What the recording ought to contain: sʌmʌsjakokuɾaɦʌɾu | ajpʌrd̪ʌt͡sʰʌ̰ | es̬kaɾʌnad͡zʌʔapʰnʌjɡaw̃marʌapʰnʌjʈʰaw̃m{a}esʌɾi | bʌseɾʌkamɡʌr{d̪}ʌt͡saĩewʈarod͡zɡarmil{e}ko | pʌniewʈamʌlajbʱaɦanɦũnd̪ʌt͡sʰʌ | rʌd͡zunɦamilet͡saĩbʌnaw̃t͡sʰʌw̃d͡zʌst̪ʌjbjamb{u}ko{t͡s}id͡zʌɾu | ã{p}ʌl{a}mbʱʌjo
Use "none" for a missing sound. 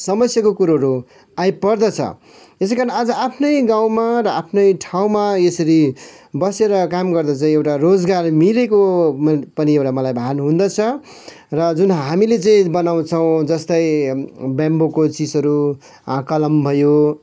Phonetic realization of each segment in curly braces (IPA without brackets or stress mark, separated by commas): a, d̪, e, o, t͡s, k, ʌ